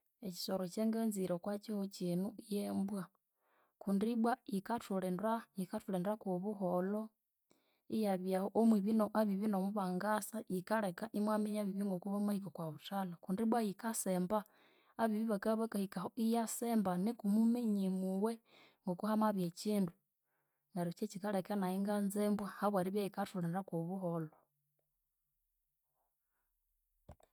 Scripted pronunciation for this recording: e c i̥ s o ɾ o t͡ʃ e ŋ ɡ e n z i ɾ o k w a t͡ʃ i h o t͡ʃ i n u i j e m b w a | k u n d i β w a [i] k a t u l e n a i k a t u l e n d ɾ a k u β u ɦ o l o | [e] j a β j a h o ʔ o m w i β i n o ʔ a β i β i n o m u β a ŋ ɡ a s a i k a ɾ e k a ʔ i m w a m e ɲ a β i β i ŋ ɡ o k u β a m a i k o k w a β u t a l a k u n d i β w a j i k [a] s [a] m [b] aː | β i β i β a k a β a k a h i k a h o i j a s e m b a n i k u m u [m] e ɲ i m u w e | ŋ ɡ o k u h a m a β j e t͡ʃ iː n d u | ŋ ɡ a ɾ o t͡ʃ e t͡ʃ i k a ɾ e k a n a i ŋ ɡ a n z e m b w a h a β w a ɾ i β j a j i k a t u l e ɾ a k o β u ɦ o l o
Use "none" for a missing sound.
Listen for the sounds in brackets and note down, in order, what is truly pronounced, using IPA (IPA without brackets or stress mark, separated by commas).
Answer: i, i, a, e, b, m